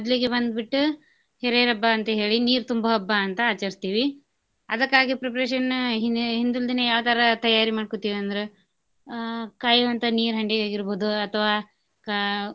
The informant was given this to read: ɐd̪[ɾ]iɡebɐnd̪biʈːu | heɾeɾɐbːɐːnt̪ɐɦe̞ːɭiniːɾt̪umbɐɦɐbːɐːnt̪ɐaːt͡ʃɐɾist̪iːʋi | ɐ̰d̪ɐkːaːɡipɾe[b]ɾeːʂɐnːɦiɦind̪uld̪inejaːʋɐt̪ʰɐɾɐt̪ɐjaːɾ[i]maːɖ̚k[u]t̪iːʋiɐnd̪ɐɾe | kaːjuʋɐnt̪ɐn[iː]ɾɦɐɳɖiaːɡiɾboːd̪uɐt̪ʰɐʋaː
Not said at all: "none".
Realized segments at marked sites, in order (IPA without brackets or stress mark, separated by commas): l, p, i, o, iː